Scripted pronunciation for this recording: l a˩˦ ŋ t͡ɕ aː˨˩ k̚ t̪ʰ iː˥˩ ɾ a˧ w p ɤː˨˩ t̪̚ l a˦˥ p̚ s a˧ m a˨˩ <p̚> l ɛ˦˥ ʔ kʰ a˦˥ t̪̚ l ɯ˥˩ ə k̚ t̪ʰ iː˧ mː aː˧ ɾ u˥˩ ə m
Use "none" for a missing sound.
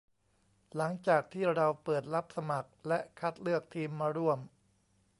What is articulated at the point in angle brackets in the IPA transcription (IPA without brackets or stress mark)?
k̚